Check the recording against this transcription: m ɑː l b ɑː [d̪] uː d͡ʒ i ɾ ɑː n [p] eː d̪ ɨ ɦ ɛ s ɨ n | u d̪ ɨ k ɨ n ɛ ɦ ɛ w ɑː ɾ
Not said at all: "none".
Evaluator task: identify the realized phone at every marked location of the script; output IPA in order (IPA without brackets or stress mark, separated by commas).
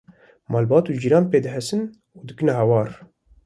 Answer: t̪, p